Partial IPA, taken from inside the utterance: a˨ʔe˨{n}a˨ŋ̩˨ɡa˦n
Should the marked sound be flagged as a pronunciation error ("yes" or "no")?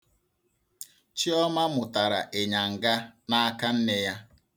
yes